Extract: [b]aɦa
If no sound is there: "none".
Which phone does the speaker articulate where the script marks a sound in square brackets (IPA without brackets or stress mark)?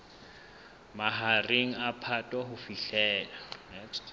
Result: m